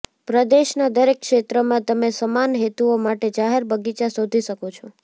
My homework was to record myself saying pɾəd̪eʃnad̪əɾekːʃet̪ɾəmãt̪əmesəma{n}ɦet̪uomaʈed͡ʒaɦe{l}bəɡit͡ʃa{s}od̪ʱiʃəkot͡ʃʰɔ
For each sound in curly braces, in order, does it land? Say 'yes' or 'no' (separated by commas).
yes, no, yes